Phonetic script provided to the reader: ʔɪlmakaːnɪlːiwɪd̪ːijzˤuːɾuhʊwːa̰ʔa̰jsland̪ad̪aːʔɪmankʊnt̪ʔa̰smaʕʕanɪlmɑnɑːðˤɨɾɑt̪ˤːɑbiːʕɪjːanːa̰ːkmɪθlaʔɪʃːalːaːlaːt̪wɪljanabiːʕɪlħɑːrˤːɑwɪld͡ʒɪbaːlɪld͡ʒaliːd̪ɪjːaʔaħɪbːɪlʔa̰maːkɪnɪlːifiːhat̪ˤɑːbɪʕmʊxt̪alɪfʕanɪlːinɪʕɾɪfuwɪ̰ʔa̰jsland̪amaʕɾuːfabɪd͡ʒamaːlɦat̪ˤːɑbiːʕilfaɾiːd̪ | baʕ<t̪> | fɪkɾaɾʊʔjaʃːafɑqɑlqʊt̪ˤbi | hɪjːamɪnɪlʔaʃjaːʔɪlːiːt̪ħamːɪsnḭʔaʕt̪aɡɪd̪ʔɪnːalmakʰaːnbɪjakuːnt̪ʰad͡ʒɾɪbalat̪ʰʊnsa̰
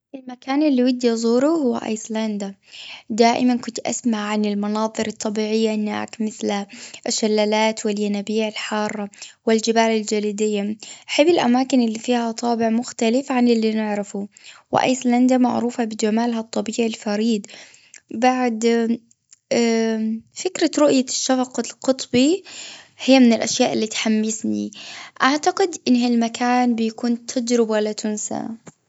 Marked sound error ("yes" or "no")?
yes